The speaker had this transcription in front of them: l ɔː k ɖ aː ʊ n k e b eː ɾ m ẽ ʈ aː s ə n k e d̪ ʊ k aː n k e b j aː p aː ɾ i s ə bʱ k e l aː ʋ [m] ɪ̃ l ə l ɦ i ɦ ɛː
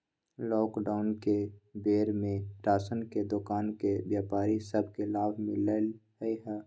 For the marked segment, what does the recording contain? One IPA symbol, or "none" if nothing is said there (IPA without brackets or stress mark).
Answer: m